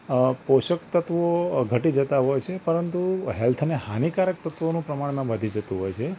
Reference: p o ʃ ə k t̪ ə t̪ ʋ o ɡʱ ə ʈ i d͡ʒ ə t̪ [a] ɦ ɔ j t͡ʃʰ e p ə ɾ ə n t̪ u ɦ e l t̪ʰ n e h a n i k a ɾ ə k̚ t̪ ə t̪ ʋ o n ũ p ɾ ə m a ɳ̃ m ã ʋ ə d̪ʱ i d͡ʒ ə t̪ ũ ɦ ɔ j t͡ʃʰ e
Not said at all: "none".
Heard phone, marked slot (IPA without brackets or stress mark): a